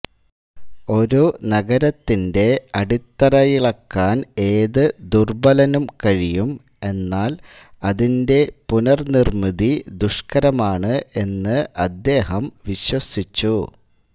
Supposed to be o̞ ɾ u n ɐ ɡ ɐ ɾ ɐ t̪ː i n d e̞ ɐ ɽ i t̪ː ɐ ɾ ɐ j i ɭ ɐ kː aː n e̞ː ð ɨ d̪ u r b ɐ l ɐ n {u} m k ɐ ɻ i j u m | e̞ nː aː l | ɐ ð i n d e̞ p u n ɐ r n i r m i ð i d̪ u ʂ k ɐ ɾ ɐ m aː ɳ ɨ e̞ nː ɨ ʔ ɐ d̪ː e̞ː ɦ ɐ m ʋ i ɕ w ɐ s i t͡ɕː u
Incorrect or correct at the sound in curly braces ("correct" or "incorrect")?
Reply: correct